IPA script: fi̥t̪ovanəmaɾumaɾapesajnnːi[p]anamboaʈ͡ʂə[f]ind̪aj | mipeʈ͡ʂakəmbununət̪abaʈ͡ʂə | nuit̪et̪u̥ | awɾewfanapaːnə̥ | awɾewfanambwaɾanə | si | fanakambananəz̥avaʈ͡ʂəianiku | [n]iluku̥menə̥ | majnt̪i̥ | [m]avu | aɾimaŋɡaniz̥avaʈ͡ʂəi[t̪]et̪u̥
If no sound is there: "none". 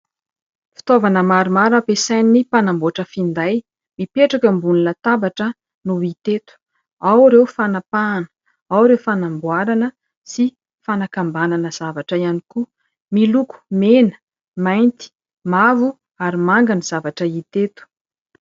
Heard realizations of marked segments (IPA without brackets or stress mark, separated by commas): p, f, m, m, t̪